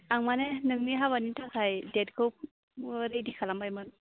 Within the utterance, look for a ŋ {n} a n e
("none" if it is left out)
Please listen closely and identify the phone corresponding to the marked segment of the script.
m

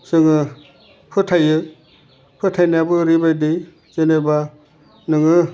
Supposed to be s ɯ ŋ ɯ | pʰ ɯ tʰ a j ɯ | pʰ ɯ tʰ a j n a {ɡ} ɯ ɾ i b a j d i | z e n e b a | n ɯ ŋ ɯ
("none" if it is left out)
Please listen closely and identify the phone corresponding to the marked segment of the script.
b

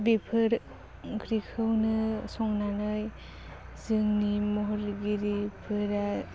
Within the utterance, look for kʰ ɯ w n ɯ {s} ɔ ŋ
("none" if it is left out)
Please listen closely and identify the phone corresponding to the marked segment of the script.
s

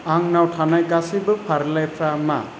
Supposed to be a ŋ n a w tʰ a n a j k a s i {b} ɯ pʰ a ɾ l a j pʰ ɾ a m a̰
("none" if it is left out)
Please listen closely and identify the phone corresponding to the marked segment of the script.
b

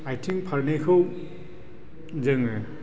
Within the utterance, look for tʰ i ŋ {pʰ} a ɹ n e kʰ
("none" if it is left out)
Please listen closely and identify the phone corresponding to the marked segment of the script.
pʰ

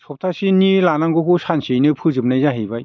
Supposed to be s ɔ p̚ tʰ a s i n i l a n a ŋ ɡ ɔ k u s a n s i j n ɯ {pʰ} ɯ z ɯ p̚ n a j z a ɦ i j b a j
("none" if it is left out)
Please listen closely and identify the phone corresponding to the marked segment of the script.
pʰ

